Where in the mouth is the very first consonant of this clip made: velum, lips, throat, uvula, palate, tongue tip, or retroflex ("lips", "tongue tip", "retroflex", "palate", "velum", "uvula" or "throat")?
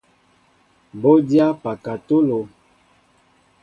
lips